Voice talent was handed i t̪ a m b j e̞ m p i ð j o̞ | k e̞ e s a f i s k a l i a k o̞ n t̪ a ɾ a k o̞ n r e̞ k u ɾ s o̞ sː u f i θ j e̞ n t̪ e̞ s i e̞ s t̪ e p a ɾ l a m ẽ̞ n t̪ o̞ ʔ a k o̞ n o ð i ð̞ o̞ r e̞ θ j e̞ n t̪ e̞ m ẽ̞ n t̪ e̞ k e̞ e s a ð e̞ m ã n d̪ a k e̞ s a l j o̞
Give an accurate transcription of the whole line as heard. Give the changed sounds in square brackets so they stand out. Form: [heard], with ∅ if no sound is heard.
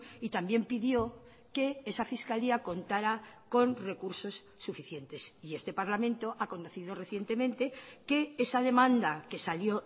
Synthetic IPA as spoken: i t̪ a m b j e̞ m p i ð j o̞ | k e̞ e s a f i s k a l i a k o̞ n t̪ a ɾ a k o̞ n r e̞ k u ɾ s o̞ sː u f i θ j e̞ n t̪ e̞ s i e̞ s t̪ e p a ɾ l a m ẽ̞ n t̪ o̞ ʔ a k o̞ n o [θ] i ð̞ o̞ r e̞ θ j e̞ n t̪ e̞ m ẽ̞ n t̪ e̞ k e̞ e s a ð e̞ m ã n d̪ a k e̞ s a l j o̞